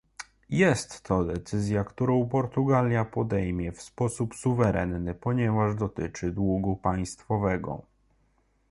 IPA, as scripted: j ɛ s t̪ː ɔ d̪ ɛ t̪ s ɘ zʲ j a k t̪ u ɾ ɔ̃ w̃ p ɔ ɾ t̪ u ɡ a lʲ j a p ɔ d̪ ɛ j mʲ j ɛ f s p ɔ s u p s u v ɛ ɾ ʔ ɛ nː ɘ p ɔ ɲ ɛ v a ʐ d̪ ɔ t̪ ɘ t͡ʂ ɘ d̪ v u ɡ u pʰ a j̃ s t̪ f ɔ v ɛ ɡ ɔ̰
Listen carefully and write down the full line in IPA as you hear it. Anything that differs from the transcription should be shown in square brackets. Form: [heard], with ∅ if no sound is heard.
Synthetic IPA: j ɛ s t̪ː ɔ d̪ ɛ t̪ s ɘ zʲ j a k t̪ u ɾ ɔ̃ w̃ p ɔ ɾ t̪ u ɡ a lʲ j a p ɔ d̪ ɛ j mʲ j ɛ f s p ɔ s u p s u v ɛ ɾ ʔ ɛ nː ɘ p ɔ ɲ ɛ v a ʐ d̪ ɔ t̪ ɘ t͡ʂ ɘ d̪ [w] u ɡ u [p] a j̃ s t̪ f ɔ v ɛ ɡ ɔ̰